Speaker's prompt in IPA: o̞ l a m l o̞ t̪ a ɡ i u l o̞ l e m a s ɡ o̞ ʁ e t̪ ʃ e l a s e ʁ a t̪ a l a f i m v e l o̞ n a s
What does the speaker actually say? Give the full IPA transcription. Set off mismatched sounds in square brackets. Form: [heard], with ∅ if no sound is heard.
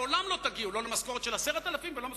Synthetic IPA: o̞ l a m l o̞ t̪ a ɡ i u l o̞ l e m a s [k] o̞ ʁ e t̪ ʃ e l a s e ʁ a t̪ a l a f i m v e l o̞ [m] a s